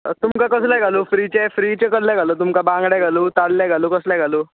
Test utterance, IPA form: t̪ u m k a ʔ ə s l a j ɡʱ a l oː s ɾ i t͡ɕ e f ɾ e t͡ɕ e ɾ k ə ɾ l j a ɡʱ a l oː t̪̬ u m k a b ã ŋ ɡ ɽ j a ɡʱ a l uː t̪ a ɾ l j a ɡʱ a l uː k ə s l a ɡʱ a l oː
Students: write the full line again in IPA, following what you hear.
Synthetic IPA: t̪ u m k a k ə s l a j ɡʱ a l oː f ɾ i t͡ɕ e f ɾ i t͡ɕ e k ə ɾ l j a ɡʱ a l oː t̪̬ u m k a b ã ŋ ɡ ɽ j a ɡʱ a l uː t̪ a ɽ l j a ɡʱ a l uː k ə s l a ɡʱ a l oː